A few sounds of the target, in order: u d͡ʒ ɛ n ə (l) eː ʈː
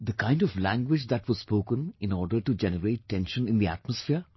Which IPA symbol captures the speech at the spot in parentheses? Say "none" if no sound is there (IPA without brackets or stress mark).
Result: ɾ